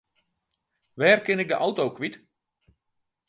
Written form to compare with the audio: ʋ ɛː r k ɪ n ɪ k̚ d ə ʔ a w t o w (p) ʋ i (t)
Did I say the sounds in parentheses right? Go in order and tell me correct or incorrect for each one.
incorrect: k, correct

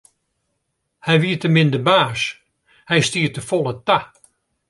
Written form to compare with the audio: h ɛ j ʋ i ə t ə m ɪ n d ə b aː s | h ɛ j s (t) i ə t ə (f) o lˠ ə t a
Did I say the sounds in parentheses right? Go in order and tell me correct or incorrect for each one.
correct, correct

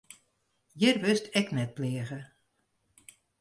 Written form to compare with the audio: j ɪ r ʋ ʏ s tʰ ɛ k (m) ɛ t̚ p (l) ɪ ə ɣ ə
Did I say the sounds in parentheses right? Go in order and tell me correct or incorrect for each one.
incorrect: n, correct

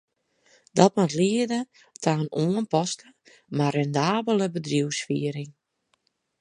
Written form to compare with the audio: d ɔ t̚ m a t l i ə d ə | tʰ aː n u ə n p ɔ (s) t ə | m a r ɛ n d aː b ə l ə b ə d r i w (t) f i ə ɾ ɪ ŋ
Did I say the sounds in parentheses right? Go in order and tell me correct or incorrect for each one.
correct, incorrect: s

